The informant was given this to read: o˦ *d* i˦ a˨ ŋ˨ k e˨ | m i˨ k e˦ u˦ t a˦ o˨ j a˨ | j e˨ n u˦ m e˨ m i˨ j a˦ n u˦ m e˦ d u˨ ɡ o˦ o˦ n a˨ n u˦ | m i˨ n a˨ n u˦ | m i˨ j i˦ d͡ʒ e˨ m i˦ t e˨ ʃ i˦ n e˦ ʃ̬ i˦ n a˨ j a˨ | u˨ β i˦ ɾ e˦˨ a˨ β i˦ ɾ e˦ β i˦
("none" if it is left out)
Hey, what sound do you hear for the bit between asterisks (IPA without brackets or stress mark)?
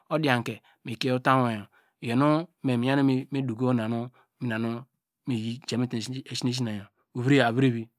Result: d